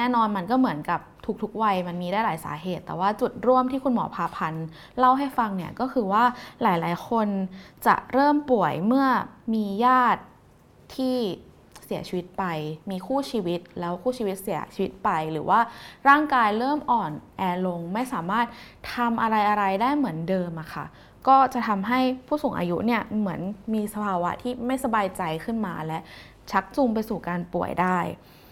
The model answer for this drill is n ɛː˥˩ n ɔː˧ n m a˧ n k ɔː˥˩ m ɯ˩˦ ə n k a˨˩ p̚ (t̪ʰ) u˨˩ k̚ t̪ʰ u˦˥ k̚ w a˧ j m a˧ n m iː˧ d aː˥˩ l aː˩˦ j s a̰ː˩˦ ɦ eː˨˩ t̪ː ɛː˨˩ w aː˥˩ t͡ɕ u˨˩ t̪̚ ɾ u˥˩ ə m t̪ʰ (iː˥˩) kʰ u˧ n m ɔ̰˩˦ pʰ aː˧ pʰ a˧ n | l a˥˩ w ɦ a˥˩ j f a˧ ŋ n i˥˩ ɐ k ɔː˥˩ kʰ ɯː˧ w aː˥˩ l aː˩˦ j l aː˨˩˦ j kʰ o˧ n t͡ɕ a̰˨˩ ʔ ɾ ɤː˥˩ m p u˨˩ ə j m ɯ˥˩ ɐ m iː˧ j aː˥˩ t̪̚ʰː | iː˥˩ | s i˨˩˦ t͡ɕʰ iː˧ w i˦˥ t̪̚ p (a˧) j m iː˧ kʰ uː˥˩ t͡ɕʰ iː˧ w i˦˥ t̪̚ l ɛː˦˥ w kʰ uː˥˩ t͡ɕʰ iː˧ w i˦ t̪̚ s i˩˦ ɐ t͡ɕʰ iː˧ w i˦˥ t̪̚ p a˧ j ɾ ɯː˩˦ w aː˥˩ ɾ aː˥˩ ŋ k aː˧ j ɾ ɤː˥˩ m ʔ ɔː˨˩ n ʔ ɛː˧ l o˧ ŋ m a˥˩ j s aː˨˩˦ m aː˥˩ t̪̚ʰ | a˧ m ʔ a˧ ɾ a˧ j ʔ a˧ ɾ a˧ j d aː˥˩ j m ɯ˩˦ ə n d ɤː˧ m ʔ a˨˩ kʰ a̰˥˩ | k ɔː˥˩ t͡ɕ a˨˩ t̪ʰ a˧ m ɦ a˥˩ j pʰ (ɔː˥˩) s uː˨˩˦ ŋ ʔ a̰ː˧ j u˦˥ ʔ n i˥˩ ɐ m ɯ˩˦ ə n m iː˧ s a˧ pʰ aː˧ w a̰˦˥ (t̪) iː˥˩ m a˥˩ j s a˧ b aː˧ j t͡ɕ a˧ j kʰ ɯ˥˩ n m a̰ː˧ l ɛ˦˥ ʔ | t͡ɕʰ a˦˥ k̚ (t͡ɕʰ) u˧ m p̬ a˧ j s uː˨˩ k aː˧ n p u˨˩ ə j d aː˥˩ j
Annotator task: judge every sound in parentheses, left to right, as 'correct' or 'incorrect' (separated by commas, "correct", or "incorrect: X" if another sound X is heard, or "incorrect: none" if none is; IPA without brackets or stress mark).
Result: correct, correct, correct, incorrect: uː˥˩, incorrect: t̪ʰ, incorrect: t͡ɕ